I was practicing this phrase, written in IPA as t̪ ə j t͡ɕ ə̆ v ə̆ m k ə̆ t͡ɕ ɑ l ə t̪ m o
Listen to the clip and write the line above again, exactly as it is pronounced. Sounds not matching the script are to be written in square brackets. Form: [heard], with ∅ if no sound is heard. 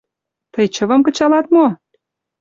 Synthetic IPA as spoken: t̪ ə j t͡ɕ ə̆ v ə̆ m k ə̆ t͡ɕ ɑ l [ɑ] t̪ m o